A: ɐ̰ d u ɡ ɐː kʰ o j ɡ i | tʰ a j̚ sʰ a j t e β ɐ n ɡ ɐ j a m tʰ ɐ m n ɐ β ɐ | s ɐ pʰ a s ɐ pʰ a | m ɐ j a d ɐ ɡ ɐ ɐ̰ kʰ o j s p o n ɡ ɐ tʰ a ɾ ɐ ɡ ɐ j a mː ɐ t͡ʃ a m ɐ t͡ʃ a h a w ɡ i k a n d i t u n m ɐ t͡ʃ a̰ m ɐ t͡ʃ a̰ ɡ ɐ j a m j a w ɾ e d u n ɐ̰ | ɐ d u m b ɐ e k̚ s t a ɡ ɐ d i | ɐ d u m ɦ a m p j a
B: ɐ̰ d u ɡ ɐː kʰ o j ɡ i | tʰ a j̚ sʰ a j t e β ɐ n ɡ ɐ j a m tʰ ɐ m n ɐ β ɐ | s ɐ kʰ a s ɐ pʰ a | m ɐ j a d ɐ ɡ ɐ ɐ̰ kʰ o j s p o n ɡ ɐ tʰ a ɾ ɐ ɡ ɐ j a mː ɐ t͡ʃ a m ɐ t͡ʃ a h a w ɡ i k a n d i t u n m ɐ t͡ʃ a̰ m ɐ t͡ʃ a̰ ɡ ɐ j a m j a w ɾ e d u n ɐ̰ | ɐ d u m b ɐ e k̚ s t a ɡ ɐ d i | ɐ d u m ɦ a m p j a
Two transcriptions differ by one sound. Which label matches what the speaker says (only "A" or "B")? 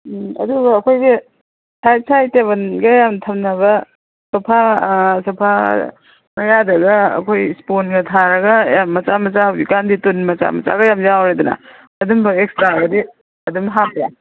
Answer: A